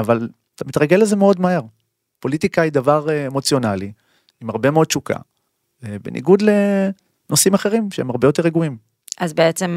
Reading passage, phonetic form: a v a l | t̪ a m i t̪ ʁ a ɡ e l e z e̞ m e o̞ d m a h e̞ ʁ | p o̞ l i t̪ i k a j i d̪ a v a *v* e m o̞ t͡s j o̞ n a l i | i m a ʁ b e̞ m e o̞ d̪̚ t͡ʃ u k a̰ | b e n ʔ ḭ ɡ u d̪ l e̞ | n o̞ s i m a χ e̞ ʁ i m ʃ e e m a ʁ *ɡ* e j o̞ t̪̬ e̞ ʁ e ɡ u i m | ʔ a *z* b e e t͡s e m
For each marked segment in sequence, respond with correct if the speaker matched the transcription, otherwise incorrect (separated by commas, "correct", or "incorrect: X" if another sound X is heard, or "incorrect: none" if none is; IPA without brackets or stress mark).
incorrect: ʁ, incorrect: b, correct